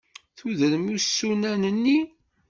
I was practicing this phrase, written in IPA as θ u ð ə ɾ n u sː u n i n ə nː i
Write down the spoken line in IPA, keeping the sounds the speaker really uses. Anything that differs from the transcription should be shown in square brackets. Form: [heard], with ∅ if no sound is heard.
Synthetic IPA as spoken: θ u ð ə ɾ [m] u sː u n [æ] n ə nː i